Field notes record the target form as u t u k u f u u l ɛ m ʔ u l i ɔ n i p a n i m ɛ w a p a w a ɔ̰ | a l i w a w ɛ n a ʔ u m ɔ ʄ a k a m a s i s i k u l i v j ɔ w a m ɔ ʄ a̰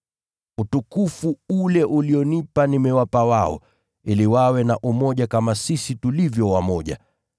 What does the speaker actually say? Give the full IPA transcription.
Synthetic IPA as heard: u t u k u f u u l ɛ ʔ u l i ɔ n i p a n i m ɛ w a p a w a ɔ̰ | i l i w a w ɛ n a ʔ u m ɔ ʄ a k a m a s i s i t u l i v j ɔ w a m ɔ ʄ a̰